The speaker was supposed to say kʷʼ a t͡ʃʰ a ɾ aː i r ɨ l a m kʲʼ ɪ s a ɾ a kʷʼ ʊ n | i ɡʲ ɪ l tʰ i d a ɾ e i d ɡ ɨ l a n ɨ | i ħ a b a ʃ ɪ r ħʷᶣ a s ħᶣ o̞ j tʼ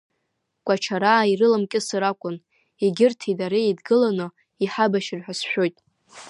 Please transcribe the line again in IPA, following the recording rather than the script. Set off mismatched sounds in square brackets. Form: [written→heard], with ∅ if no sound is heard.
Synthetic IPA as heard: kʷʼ a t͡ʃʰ a ɾ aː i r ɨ l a m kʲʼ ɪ s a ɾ a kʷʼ ʊ n | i ɡʲ ɪ [l→r] tʰ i d a ɾ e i d ɡ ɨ l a n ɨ | i ħ a b a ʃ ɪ r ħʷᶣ a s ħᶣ o̞ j tʼ

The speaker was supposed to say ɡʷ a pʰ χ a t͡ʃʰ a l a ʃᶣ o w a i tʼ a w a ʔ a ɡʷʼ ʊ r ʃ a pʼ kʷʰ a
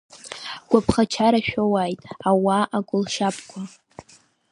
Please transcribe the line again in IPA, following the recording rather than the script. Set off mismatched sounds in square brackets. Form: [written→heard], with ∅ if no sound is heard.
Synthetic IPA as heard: ɡʷ a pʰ χ a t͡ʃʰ a [l→ɾ] a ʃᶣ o w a [i→j] tʼ a w a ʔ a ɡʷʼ ʊ [r→l] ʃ a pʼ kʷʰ a

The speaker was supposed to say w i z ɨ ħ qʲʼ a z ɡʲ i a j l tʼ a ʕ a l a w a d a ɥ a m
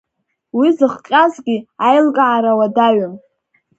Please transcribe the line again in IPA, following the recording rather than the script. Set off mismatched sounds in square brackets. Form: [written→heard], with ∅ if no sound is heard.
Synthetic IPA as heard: w i z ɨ [ħ→χ] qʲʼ a z ɡʲ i a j l [tʼ→kʼ] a ʕ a [l→ɾ] a w a d a ɥ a m

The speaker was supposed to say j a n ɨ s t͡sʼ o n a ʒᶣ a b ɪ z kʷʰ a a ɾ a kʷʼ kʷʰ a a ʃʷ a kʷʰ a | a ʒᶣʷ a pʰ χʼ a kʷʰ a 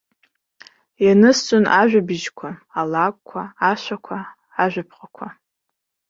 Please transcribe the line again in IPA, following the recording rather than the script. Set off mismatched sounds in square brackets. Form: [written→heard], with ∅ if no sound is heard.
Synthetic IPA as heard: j a n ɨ s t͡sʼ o n a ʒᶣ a b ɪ [z→ʒ] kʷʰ a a [ɾ→l] a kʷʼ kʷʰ a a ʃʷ a kʷʰ a | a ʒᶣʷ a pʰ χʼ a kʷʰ a

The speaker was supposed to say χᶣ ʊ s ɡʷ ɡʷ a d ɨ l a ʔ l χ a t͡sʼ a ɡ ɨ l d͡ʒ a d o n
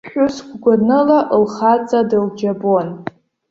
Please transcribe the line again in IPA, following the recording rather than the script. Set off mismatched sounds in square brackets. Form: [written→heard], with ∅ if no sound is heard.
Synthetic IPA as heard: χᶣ ʊ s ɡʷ ɡʷ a [d→n] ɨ l a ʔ l χ a t͡sʼ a [ɡ→d] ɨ l d͡ʒ a [d→b] o n

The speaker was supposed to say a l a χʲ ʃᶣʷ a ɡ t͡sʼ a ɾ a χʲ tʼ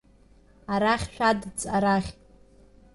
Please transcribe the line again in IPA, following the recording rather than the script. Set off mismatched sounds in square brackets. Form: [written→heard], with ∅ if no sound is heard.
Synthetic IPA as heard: a [l→ɾ] a χʲ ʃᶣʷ a [ɡ→d] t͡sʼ a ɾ a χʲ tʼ

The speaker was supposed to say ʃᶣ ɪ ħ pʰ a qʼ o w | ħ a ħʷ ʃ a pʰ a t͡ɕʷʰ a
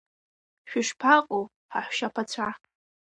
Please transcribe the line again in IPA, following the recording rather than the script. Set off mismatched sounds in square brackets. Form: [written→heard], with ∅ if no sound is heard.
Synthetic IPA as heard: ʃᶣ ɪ [ħ→ʂ] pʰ a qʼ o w | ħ a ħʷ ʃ a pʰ a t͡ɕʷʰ a

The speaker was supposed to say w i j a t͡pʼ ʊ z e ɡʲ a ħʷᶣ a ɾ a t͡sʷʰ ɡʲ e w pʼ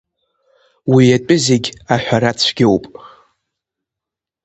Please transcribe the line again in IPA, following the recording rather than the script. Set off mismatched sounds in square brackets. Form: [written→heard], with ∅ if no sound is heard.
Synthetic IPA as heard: w i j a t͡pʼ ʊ z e ɡʲ a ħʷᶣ a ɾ a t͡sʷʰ ɡʲ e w pʼ

